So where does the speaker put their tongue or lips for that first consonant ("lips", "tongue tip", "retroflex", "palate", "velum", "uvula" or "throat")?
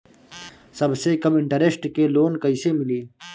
tongue tip